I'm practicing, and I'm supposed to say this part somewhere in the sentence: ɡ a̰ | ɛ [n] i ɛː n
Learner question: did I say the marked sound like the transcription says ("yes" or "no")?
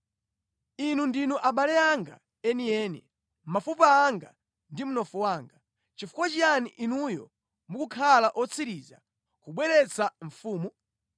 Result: yes